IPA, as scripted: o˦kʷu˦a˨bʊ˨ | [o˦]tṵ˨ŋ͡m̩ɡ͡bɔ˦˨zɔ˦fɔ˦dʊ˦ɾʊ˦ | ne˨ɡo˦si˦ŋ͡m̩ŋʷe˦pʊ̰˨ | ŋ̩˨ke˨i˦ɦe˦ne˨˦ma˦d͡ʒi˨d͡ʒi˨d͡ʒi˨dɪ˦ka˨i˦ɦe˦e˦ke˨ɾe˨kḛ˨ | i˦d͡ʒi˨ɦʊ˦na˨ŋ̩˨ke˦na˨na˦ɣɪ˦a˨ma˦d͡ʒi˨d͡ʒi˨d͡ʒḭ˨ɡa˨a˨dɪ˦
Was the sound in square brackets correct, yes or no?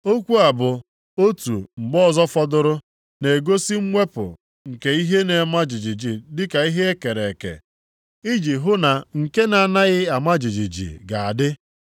yes